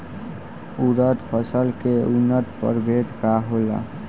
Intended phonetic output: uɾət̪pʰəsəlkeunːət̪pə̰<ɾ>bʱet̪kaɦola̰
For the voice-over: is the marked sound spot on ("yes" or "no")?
yes